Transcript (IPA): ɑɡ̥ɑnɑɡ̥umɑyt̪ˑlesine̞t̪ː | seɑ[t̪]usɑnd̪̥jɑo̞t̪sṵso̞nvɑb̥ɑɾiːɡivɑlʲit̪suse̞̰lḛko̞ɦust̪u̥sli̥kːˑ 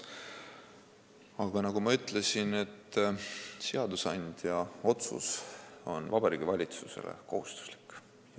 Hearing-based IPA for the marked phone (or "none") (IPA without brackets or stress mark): d̪